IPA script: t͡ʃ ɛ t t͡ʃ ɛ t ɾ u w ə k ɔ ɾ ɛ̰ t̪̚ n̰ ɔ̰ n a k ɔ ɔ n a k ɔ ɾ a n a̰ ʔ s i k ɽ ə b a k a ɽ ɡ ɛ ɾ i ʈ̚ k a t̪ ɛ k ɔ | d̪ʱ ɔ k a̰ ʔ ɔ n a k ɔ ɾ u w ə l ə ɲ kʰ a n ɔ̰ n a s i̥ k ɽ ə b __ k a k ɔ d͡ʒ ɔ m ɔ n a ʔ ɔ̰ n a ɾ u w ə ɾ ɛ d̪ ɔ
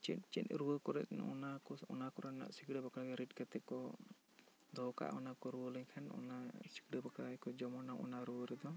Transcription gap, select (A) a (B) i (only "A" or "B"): A